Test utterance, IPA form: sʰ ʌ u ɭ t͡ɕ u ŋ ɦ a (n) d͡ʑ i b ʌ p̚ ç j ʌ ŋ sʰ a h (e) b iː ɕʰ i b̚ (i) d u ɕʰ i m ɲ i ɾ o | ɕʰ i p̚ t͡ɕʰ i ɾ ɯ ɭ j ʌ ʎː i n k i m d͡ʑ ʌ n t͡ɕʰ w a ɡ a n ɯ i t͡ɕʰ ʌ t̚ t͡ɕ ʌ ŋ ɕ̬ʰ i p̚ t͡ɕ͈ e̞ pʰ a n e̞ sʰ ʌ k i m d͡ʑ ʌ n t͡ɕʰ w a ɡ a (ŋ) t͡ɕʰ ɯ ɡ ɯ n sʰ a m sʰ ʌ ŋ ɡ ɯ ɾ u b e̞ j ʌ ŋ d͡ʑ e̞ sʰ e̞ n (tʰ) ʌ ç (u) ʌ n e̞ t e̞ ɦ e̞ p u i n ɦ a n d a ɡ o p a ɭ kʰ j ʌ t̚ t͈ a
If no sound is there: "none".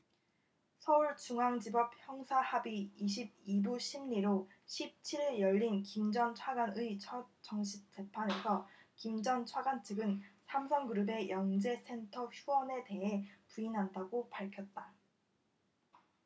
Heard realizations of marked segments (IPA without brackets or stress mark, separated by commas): ŋ, a, i, n, tʰ, u